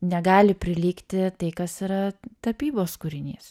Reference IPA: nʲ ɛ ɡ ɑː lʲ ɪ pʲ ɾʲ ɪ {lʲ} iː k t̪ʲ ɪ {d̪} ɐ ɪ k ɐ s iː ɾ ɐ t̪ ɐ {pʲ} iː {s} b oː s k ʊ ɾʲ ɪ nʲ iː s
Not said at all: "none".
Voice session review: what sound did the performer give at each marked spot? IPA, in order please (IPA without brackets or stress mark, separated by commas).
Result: lʲ, t̪, pʲ, none